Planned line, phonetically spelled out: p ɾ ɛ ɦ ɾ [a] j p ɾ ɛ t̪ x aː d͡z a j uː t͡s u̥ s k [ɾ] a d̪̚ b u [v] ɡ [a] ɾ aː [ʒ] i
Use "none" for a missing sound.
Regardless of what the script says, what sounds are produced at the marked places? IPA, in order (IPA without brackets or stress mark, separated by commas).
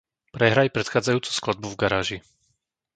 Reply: a, l, v, a, ʒ